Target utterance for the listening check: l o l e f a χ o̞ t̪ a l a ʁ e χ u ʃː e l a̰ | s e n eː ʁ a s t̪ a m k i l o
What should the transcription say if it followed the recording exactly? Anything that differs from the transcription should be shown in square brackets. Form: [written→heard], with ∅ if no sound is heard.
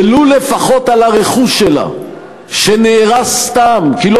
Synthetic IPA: l [o→u] l e f a χ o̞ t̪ a l a ʁ e χ u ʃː e l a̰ | [s→ʃ] e n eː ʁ a s t̪ a m k i l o